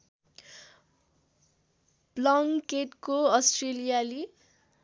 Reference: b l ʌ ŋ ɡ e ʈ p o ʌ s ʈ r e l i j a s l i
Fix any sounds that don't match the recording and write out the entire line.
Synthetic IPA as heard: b l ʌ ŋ k e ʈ k o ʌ s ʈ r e l i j a l i